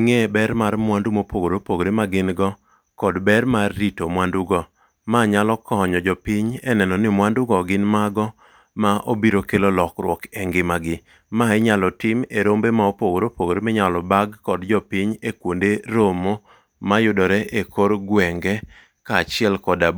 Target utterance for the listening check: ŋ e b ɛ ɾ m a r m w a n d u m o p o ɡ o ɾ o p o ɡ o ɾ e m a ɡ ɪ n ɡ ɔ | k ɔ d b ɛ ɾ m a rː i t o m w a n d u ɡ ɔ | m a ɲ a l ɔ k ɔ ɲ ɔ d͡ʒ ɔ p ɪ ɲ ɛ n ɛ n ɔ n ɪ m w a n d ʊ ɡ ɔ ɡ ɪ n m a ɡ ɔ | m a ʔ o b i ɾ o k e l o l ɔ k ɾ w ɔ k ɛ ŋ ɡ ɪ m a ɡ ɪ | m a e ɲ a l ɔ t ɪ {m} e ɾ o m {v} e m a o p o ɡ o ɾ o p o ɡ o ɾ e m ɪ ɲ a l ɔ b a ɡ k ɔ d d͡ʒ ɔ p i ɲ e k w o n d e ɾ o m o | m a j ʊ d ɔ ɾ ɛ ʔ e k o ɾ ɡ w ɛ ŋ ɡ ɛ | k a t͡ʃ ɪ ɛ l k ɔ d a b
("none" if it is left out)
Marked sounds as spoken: m, b

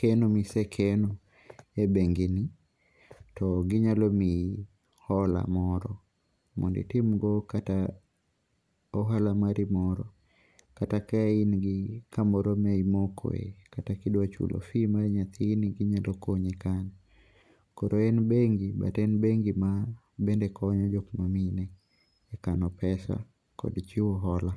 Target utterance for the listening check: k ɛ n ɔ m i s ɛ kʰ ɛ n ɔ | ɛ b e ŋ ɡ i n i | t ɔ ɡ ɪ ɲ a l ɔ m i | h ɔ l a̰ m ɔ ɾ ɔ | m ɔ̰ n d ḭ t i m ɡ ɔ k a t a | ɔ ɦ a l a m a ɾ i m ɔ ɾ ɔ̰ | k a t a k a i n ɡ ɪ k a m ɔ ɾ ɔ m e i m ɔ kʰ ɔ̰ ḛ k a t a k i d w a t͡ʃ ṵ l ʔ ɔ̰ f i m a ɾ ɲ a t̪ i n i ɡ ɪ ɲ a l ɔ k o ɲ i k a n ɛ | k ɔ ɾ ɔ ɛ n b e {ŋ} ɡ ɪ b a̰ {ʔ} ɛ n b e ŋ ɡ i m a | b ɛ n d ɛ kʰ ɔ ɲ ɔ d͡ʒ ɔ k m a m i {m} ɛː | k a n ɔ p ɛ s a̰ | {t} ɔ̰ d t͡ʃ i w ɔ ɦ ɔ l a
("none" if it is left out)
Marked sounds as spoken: ŋ, t, n, k

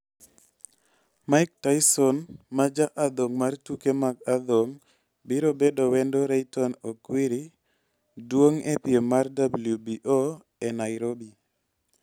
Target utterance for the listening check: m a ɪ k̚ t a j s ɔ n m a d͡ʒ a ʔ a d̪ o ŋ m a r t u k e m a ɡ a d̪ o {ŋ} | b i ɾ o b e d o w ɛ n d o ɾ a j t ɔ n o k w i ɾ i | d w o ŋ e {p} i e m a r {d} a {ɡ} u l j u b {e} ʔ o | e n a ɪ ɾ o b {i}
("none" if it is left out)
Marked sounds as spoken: ŋ, p, d, b, i, i

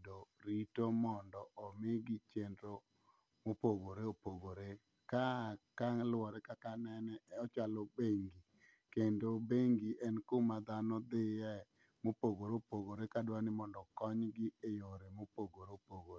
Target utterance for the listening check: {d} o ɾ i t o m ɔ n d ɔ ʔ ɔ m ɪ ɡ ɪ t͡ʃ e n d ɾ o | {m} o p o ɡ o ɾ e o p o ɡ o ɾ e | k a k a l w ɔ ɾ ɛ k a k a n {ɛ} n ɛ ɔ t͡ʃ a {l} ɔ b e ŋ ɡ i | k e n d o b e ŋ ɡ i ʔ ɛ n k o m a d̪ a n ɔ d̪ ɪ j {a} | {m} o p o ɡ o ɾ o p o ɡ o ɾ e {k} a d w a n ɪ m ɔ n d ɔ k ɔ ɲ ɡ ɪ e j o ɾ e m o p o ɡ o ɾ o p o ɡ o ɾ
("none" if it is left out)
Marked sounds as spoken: d, m, ɛ, l, ɛ, m, k

